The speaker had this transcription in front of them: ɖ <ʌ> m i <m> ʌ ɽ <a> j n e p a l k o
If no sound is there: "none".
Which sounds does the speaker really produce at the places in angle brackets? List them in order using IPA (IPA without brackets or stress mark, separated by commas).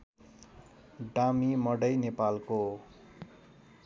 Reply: a, m, ʌ